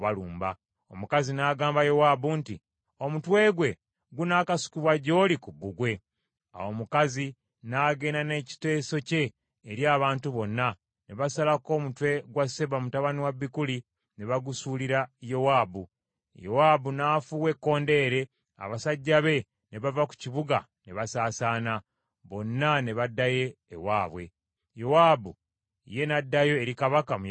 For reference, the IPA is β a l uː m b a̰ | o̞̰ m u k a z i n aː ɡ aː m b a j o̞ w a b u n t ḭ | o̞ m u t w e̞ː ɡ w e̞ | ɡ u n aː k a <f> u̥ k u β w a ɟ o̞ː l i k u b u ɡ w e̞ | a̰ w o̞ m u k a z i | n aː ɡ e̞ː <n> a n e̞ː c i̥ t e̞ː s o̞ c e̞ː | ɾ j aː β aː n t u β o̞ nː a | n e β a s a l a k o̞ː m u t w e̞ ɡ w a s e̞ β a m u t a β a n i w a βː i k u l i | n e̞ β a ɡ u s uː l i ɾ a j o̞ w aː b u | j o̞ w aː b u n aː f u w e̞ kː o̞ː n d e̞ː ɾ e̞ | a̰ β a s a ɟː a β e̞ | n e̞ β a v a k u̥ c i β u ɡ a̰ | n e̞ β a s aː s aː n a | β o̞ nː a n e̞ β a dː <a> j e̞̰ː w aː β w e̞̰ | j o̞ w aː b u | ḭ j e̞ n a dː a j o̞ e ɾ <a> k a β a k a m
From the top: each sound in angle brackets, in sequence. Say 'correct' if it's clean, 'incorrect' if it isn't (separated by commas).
incorrect, correct, correct, incorrect